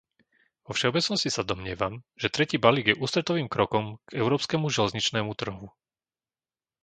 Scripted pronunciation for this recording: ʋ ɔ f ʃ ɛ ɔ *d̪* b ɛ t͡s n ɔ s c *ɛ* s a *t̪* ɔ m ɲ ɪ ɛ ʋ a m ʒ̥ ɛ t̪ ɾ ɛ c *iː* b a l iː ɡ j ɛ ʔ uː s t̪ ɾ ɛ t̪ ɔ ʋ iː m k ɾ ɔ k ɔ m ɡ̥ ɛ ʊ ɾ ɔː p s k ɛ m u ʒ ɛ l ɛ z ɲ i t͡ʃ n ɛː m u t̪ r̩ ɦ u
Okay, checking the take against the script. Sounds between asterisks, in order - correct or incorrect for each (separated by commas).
incorrect, incorrect, incorrect, correct